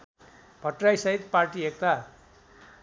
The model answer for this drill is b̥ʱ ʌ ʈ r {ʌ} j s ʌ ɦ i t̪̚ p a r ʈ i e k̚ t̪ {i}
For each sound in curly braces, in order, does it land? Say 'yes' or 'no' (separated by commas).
no, no